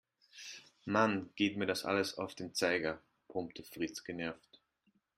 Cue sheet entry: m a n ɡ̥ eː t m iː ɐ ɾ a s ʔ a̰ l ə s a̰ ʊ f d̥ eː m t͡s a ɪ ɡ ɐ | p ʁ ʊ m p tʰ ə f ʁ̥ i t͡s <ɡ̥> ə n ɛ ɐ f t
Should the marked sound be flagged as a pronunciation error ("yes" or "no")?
no